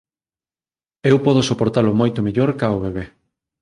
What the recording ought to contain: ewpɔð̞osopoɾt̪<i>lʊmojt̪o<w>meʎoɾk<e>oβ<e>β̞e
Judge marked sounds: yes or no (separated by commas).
no, no, no, yes